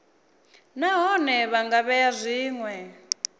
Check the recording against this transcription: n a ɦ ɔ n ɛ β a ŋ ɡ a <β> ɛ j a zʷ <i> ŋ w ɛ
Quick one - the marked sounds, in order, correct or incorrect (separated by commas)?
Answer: correct, incorrect